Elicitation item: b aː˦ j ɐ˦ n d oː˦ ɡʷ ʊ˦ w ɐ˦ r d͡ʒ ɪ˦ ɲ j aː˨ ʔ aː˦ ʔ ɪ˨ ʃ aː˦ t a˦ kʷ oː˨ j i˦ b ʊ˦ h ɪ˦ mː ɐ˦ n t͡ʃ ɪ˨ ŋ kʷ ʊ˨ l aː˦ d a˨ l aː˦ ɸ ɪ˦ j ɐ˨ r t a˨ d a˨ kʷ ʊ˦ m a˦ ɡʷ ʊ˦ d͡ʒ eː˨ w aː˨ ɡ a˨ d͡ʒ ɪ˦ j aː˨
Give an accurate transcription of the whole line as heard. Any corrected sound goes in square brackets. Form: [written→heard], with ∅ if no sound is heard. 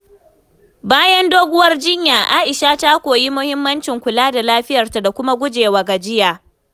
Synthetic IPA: b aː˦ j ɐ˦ n d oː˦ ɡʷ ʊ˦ w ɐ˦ r d͡ʒ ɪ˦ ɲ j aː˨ ʔ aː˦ ʔ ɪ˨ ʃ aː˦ t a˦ kʷ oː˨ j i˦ [b→m] ʊ˦ h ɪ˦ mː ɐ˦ n t͡ʃ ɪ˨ ŋ kʷ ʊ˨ l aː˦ d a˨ l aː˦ ɸ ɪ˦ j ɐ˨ r t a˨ d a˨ kʷ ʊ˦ m a˦ ɡʷ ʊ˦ d͡ʒ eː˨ w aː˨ ɡ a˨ d͡ʒ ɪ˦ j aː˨